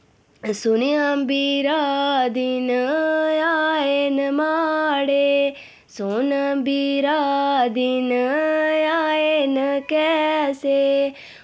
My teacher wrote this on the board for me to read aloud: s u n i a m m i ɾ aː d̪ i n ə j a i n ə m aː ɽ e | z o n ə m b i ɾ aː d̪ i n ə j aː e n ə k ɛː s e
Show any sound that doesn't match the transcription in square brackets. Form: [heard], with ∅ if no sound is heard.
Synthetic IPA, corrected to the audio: s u n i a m [b] i ɾ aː d̪ i n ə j a [e] n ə m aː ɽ e | [s] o n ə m b i ɾ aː d̪ i n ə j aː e n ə k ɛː s e